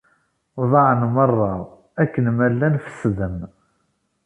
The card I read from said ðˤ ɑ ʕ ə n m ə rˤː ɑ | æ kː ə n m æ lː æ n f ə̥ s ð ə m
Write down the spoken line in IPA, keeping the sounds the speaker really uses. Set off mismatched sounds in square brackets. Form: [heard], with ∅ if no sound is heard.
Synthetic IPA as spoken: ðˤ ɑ ʕ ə n m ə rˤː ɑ | æ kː ə n m æ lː æ n f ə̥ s ð ə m